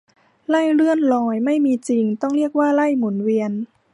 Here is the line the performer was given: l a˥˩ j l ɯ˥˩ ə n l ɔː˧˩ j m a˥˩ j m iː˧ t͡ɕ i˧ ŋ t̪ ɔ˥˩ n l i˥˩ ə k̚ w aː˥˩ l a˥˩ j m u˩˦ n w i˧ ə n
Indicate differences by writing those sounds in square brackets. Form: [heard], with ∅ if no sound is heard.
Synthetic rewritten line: l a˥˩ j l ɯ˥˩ ə n l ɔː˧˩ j m a˥˩ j m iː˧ t͡ɕ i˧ ŋ t̪ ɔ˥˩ [ŋ] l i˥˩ ə k̚ w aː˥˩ l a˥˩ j m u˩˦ n w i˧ ə n